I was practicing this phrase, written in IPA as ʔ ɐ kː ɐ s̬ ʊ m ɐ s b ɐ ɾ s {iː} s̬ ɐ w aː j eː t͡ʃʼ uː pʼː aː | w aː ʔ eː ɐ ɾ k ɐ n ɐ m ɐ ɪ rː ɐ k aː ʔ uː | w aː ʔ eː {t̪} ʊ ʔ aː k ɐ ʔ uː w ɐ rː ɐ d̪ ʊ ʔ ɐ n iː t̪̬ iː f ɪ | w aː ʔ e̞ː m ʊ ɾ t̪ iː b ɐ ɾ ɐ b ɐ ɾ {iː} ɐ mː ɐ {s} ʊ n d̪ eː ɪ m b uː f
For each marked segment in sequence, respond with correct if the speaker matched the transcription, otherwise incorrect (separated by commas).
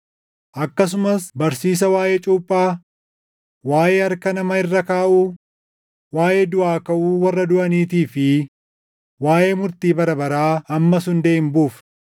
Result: correct, incorrect, incorrect, correct